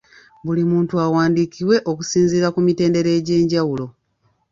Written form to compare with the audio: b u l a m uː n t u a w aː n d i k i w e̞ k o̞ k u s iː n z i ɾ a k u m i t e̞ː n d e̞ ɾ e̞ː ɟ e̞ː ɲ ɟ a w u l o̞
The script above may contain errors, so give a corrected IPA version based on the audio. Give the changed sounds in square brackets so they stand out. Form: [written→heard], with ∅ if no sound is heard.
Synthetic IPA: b u l [a→i] m uː n t u a w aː n d i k i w e̞ [k→ʔ] o̞ k u s iː n z i ɾ a k u m i t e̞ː n d e̞ ɾ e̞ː ɟ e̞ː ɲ ɟ a w u l o̞